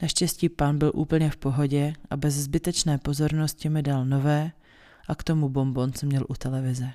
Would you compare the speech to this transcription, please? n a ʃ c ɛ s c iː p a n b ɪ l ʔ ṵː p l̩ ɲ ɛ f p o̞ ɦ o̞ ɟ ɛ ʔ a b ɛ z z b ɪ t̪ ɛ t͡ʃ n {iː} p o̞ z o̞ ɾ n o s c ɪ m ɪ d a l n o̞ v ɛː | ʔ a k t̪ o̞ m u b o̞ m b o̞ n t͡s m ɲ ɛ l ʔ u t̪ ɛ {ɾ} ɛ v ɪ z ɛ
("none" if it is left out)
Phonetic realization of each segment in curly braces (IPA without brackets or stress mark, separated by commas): ɛː, l